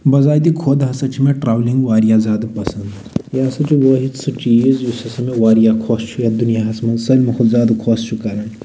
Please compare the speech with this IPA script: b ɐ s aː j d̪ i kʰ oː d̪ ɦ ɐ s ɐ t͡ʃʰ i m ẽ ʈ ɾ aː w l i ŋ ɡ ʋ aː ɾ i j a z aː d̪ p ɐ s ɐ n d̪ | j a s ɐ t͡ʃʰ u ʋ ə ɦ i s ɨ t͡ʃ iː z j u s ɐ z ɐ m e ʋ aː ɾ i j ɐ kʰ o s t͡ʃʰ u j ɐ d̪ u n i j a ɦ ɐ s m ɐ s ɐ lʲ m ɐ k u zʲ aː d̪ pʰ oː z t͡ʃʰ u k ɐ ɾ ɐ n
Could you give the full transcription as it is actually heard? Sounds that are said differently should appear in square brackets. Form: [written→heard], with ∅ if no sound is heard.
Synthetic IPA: b ɐ [s→z] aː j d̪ i kʰ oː d̪ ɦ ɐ s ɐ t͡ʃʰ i m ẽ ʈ ɾ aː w l i ŋ ɡ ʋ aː ɾ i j a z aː d̪ p ɐ s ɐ n d̪ | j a s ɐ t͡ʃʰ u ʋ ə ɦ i s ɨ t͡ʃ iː z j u s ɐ [z→s] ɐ m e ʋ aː ɾ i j [ɐ→a] kʰ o s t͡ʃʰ u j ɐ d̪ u n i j a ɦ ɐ s m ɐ s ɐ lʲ m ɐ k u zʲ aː d̪ [pʰ→kʰ] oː [z→s] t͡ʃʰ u k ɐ ɾ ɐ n